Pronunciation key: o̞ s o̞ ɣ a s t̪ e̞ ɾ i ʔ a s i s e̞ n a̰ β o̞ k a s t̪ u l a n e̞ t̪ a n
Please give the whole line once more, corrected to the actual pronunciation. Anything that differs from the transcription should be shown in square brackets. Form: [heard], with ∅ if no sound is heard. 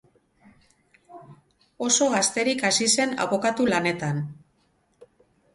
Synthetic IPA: o̞ s o̞ ɣ a s t̪ e̞ ɾ i [k] a s i s e̞ n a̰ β o̞ k a [∅] t̪ u l a n e̞ t̪ a n

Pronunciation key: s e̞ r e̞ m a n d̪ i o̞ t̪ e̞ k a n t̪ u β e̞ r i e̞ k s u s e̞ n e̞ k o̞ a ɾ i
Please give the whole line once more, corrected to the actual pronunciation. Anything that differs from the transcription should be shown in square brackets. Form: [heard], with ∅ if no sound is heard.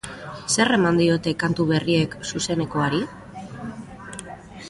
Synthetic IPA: s e̞ r e̞ m a n d̪ i o̞ t̪ e̞ k a n t̪ u β e̞ r i e̞ k s u s e̞ n e̞ k o̞ a ɾ i

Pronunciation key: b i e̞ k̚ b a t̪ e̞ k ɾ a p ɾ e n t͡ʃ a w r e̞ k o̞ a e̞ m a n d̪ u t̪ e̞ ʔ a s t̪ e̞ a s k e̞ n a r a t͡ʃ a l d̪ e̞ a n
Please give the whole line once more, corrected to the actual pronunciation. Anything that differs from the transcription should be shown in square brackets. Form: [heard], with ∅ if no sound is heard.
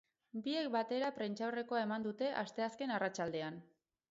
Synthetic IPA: b i e̞ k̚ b a t̪ e̞ [∅] ɾ a p ɾ e n t͡ʃ a w r e̞ k o̞ a e̞ m a n d̪ u t̪ e̞ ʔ a s t̪ e̞ a s k e̞ n a r a t͡ʃ a l d̪ e̞ a n

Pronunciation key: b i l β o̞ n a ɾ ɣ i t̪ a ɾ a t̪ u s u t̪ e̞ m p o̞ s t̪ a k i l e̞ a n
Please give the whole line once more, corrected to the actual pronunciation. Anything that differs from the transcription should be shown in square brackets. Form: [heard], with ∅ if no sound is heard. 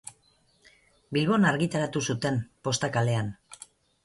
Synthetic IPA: b i l β o̞ n a ɾ ɣ i t̪ a ɾ a t̪ u s u t̪ e̞ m p o̞ s t̪ a k [a] l e̞ a n

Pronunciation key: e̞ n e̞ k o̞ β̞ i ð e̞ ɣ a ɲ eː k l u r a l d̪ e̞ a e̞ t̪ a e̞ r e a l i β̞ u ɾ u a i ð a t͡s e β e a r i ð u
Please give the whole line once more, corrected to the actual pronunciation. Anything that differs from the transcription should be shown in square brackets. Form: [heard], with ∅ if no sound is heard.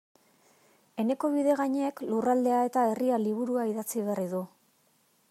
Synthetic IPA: e̞ n e̞ k o̞ β̞ i ð e̞ ɣ a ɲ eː k l u r a l d̪ e̞ a e̞ t̪ a e̞ r [i] a l i β̞ u ɾ u a i ð a t͡s [i] β e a r i ð u

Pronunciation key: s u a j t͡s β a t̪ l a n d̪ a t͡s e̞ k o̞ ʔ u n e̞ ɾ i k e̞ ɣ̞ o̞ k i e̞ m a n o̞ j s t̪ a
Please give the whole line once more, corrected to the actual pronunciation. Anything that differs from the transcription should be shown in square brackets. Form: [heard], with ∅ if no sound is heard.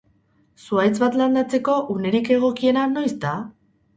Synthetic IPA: s u a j t͡s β a t̪ l a n d̪ a t͡s e̞ k o̞ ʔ u n e̞ ɾ i k e̞ ɣ̞ o̞ k i e̞ [n] a n o̞ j s t̪ a

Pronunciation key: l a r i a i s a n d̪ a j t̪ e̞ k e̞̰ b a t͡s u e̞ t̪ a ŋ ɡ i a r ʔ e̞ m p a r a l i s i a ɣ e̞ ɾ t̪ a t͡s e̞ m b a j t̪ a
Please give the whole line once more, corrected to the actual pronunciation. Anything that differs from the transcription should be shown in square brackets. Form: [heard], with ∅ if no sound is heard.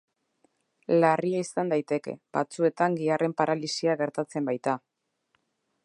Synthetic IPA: l a r i a i s a n d̪ a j t̪ e̞ k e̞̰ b a t͡s u e̞ t̪ a ŋ ɡ i a r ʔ e̞ m p a [ɾ] a l i s i a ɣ e̞ ɾ t̪ a t͡s e̞ m b a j t̪ a

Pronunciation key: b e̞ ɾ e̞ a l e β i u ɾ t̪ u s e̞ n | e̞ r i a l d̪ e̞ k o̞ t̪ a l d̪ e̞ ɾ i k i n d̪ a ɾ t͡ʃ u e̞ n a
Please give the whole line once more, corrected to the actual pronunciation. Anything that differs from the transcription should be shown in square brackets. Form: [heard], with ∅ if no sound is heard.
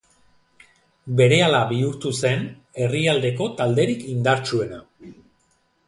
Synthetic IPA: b e̞ ɾ e̞ a l [a] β i u ɾ t̪ u s e̞ n | e̞ r i a l d̪ e̞ k o̞ t̪ a l d̪ e̞ ɾ i k i n d̪ a ɾ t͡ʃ u e̞ n a

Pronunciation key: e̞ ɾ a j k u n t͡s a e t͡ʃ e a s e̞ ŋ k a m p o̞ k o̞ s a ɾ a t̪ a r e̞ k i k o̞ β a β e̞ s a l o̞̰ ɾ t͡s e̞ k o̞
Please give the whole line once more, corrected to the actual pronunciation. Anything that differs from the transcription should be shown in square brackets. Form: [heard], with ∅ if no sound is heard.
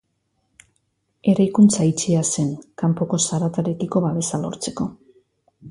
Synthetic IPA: e̞ ɾ a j k u n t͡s a [i] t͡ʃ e a s e̞ ŋ k a m p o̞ k o̞ s a ɾ a t̪ a [ɾ] e̞ k i k o̞ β a β e̞ s a l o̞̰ ɾ t͡s e̞ k o̞

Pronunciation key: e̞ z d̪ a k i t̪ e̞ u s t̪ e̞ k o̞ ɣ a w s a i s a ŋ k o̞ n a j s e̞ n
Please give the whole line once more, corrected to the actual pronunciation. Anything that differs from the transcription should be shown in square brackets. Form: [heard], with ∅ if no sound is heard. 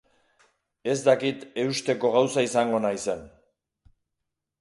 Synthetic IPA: e̞ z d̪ a k i t̪ e̞ u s t̪ e̞ k o̞ ɣ a w s a i s a ŋ [ɡ] o̞ n a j s e̞ n

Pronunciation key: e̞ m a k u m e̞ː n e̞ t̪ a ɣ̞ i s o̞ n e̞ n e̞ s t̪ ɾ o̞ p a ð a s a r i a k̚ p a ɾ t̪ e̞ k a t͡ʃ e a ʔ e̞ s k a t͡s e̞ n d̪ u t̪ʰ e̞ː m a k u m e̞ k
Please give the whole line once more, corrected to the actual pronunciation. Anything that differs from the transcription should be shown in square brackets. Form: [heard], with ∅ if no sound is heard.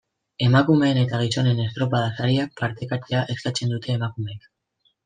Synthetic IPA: e̞ m a k u m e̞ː n e̞ t̪ a ɣ̞ i s o̞ n e̞ n e̞ s t̪ ɾ o̞ p a ð a s a [ɾ] i a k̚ p a ɾ t̪ e̞ k a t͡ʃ e a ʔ e̞ s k a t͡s e̞ n d̪ u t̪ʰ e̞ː m a k u m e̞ k

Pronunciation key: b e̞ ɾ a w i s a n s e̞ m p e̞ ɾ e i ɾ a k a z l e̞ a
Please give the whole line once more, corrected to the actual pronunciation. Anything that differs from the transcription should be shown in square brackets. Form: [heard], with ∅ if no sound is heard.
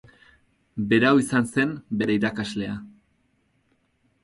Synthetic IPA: b e̞ ɾ a w i s a n s e̞ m [b] e̞ ɾ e i ɾ a k a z l e̞ a

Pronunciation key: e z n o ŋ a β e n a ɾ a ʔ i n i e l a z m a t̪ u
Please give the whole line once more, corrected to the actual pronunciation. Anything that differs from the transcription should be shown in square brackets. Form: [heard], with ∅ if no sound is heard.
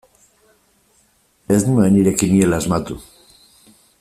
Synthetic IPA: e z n [u] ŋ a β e n [i] ɾ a [k] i n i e l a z m a t̪ u

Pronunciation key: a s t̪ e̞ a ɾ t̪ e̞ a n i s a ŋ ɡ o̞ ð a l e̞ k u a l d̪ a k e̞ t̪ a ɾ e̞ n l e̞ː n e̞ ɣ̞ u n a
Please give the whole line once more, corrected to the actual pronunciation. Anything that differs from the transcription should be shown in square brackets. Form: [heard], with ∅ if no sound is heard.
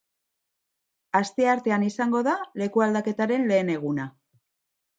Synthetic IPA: a s t̪ e̞ a ɾ t̪ e̞ a n i s a ŋ ɡ o̞ ð a l e̞ k u a l d̪ a k e̞ t̪ a ɾ e̞ n l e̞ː n e̞ ɣ̞ u n a

